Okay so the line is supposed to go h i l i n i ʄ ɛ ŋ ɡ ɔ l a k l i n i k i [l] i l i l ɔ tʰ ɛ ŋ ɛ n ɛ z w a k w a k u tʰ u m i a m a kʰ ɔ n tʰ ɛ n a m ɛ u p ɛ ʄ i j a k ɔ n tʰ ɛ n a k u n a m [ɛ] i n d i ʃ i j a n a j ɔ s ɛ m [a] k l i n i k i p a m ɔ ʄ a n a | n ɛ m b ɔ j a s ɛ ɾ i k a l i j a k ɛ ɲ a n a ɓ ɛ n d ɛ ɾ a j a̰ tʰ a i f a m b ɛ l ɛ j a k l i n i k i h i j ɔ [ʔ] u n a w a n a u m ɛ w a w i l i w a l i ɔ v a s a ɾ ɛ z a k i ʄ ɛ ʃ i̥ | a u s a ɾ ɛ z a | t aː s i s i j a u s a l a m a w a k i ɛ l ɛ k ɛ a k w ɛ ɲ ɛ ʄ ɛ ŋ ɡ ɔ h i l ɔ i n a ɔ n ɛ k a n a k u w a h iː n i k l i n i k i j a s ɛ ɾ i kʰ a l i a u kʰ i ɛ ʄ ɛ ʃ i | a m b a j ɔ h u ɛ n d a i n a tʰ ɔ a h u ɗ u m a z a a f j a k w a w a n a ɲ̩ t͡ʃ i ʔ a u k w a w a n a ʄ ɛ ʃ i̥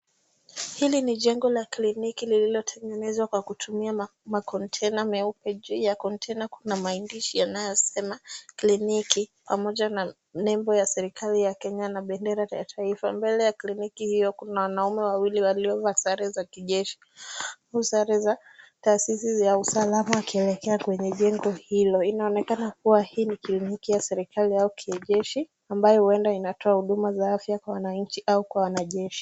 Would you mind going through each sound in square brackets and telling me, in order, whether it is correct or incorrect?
correct, incorrect, correct, incorrect

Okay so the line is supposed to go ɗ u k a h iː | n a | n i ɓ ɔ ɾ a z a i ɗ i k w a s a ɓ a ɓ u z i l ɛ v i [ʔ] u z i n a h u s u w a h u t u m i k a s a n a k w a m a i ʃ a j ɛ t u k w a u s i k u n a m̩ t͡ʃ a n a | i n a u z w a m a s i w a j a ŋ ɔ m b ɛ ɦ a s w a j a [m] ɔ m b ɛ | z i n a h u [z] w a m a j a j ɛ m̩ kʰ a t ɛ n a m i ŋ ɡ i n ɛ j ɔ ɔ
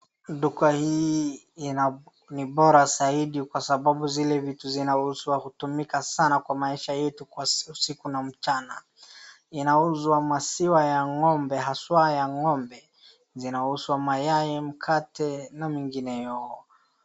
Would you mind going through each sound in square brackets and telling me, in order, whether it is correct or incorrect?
incorrect, incorrect, incorrect

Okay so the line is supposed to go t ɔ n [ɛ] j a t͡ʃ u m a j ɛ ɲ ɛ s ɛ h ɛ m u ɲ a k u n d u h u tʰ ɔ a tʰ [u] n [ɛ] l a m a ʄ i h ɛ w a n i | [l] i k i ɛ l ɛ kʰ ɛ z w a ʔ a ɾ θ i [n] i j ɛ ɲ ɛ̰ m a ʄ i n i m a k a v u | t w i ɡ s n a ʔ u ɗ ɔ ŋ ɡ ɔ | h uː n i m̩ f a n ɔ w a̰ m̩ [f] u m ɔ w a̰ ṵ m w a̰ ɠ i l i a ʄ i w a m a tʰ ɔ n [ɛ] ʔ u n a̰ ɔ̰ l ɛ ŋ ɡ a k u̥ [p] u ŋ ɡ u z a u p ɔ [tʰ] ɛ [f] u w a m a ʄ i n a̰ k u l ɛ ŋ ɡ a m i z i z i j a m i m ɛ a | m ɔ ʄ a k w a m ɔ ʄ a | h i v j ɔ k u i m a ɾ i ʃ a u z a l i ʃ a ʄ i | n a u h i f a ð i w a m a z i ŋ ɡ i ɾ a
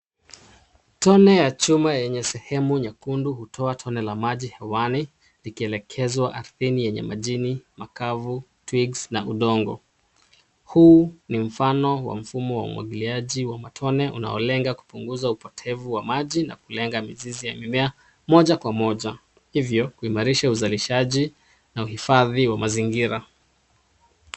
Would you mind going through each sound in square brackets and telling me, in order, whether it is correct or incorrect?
correct, incorrect, correct, correct, correct, correct, correct, correct, correct, incorrect

